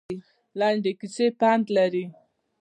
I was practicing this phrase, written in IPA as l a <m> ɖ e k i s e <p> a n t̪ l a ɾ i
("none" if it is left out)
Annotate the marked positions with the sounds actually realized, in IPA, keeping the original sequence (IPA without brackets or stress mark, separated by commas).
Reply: ɳ, p